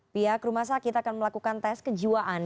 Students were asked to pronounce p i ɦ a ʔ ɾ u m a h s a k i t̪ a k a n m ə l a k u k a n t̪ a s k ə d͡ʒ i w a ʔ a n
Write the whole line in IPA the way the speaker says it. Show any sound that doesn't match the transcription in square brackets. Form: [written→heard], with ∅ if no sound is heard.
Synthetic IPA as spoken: p i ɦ a [ʔ→k] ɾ u m a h s a k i t̪ a k a n m ə l a k u k a n t̪ [a→ɛ] s k ə d͡ʒ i w a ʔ a n

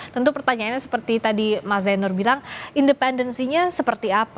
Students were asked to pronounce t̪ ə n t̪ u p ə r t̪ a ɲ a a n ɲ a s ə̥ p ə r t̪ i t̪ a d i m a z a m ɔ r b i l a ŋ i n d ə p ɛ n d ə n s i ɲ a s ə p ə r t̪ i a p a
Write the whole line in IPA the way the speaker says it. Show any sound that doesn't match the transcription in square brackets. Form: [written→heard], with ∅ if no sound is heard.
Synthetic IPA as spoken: t̪ ə n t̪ u p ə r t̪ a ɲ a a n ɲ a s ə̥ p ə r t̪ i t̪ a d i m a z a [m→n] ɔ r b i l a ŋ i n d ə p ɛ n d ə n s i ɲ a s ə p ə r t̪ i a p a

